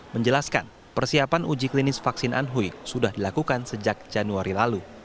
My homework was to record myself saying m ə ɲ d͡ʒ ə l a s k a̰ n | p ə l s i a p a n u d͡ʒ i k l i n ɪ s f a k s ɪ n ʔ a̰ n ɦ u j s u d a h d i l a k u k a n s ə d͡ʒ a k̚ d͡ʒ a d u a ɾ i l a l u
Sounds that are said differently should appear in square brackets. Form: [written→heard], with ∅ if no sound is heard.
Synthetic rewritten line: m ə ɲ d͡ʒ ə l a s k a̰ n | p ə [l→r] s i a p a n u d͡ʒ i k l i n ɪ s f a k s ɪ n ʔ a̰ n ɦ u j s u d a h d i l a k u k a n s ə d͡ʒ a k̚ d͡ʒ a [d→n] u a ɾ i l a l u